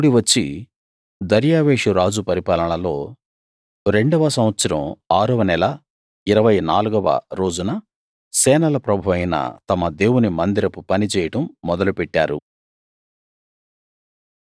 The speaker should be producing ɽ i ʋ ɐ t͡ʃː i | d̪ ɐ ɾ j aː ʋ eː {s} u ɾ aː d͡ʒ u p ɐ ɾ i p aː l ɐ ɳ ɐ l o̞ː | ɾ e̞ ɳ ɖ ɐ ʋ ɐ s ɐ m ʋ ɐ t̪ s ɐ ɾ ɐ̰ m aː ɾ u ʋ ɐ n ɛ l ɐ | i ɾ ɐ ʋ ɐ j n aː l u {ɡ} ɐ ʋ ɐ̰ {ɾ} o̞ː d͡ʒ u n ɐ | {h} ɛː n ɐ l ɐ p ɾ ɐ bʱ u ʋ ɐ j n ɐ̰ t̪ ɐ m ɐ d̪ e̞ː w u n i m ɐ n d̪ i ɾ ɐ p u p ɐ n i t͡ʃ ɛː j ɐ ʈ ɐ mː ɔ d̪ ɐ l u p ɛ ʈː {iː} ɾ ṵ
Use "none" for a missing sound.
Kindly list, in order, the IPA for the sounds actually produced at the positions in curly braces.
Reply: ʂ, ɡ, ɾ, s, aː

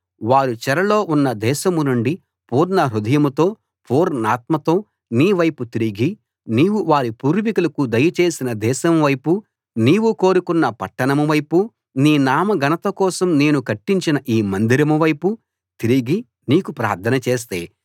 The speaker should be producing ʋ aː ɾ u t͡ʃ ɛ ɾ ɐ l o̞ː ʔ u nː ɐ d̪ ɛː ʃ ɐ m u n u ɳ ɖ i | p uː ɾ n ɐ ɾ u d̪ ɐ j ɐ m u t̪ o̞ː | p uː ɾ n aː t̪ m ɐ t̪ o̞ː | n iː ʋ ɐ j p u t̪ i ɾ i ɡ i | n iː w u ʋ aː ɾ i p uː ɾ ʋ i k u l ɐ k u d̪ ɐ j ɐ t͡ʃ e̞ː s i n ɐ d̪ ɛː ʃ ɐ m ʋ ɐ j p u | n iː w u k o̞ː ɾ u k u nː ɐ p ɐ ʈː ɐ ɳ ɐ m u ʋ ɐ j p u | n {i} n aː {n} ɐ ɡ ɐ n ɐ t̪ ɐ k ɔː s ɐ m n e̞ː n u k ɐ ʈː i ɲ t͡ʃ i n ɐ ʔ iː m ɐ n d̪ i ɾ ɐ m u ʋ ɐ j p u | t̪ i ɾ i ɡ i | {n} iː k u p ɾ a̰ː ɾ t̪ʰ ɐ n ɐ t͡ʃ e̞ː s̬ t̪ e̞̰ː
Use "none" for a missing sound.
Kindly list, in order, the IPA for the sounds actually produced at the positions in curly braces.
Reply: iː, m, n

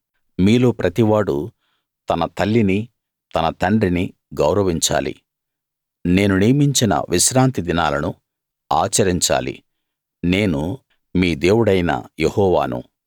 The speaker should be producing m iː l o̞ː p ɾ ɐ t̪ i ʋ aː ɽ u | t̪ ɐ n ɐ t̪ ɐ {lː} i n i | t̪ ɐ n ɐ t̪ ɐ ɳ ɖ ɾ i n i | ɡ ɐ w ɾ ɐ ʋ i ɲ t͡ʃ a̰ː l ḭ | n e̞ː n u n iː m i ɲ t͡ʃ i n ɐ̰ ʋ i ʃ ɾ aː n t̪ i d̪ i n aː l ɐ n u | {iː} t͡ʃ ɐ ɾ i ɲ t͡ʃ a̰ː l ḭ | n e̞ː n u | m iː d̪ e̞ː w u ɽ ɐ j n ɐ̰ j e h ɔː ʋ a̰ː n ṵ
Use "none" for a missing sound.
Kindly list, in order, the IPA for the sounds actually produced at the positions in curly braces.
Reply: lː, aː

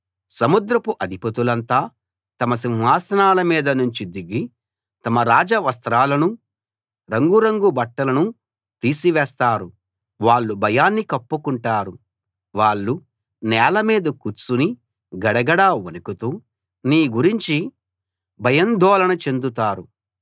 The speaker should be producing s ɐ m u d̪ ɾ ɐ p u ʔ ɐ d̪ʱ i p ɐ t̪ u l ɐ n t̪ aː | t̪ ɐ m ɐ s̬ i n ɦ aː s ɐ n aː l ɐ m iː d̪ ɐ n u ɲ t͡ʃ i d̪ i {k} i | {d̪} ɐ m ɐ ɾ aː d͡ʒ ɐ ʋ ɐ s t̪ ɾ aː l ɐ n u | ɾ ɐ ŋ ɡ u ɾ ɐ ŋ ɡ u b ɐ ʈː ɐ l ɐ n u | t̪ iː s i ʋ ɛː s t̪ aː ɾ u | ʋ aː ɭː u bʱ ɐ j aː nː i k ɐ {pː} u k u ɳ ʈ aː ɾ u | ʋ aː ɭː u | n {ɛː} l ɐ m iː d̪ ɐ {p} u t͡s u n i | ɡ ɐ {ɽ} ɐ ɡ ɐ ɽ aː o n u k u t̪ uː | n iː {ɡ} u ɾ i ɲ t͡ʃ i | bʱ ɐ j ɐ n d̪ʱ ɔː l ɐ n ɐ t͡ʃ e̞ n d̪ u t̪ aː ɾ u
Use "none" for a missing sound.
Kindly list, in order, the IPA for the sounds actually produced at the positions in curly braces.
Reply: ɡ, t̪, pː, ɛː, k, ɽ, ɡ

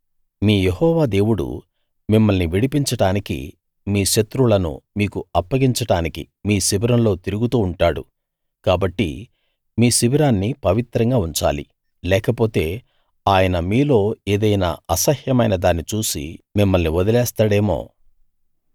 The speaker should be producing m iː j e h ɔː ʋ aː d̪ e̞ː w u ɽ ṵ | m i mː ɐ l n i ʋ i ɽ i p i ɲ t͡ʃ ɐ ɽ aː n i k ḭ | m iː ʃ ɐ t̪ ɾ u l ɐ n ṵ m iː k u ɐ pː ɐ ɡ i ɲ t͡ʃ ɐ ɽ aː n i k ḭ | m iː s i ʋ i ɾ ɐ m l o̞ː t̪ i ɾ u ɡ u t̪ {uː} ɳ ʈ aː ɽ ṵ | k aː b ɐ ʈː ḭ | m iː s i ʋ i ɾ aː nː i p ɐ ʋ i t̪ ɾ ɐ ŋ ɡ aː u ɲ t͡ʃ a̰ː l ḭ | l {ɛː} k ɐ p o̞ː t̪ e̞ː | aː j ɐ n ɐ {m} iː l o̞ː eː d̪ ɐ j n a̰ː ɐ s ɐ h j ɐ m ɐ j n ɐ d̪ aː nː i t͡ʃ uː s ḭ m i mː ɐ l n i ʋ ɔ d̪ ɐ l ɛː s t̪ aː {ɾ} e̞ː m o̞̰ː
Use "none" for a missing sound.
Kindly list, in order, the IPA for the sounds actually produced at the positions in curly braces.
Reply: uː, ɛː, m, ɽ

